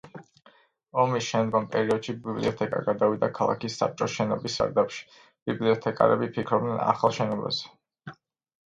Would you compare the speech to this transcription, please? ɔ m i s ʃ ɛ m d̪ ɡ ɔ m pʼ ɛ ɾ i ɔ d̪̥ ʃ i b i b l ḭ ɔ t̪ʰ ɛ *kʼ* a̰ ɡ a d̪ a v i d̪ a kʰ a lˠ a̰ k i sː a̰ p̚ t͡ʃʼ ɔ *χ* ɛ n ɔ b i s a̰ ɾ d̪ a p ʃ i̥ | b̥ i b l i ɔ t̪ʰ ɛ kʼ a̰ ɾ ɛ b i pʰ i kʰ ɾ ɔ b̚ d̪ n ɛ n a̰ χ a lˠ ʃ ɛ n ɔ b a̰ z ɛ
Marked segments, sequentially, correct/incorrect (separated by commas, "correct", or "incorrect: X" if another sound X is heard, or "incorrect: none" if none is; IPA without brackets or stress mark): correct, incorrect: ʃ